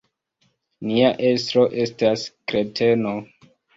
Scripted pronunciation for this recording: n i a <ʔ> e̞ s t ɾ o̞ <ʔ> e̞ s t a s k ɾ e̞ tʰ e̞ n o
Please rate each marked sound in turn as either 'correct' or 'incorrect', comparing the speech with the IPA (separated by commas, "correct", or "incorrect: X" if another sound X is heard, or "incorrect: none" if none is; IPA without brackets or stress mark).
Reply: correct, correct